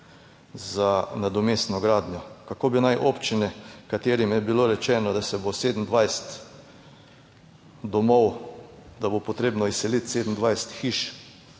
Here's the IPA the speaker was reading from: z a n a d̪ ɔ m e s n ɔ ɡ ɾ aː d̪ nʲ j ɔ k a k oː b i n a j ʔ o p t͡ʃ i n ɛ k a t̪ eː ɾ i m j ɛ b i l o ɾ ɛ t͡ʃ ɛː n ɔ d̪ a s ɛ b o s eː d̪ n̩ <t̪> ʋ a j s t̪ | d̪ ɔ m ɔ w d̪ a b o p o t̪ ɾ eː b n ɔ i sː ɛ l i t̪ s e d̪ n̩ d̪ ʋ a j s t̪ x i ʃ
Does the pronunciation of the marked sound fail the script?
yes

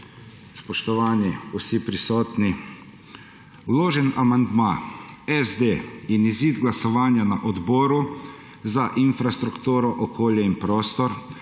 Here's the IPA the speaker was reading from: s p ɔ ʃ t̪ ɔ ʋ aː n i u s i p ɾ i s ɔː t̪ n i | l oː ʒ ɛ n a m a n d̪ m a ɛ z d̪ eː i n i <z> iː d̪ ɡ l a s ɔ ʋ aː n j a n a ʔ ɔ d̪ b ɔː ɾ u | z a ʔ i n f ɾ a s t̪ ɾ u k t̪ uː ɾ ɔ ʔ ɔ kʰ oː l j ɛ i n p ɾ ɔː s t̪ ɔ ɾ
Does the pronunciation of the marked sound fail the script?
no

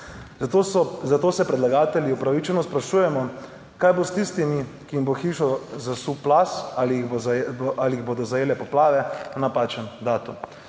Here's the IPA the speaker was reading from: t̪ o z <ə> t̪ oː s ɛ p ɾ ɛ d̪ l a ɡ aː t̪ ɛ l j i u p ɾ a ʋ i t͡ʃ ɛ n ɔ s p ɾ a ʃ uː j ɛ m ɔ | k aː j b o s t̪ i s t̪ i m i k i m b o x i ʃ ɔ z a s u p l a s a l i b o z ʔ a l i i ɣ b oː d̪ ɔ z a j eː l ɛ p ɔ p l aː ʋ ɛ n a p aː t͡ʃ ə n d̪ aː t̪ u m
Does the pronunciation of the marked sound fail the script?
yes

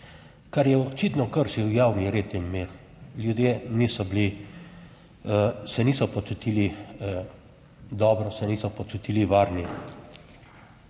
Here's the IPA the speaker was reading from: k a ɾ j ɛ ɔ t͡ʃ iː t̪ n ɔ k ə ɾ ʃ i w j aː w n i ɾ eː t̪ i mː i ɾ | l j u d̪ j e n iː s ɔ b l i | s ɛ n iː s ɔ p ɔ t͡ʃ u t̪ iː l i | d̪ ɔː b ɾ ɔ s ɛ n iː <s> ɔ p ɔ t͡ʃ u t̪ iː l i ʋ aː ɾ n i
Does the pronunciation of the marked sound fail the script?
no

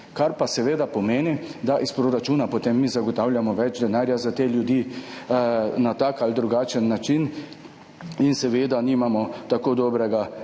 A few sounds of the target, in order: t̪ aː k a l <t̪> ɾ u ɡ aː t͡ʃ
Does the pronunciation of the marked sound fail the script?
yes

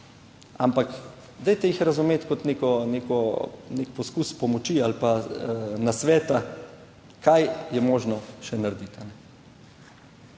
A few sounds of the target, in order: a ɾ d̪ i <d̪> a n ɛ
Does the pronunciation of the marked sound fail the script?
yes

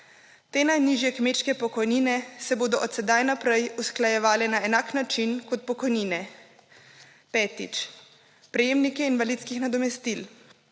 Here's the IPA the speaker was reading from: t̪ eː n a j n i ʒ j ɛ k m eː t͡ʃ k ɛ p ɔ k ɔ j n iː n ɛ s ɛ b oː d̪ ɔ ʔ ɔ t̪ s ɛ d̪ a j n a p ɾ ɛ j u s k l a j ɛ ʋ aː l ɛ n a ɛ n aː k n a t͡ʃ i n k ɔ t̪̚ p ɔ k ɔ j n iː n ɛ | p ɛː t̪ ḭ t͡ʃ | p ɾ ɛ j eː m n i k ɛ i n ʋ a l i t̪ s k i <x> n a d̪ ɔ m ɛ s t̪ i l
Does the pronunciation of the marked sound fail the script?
no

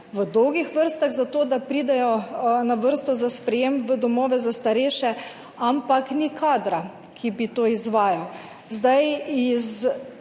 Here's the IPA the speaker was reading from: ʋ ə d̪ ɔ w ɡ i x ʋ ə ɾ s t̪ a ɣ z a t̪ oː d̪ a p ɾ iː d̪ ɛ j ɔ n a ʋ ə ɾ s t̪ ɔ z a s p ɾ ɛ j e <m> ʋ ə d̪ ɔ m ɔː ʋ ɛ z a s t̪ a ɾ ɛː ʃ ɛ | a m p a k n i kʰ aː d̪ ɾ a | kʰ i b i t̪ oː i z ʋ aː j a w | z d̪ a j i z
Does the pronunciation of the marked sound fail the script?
no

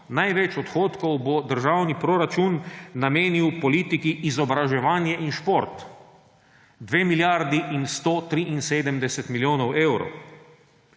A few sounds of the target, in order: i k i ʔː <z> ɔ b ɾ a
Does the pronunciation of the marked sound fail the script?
no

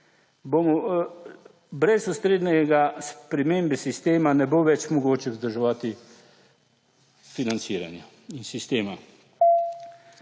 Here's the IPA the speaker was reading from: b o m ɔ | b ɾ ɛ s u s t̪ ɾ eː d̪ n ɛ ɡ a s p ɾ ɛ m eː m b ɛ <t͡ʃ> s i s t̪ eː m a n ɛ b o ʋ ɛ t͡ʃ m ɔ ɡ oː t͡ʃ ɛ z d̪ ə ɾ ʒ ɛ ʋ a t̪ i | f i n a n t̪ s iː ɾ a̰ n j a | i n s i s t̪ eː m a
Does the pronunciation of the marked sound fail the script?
yes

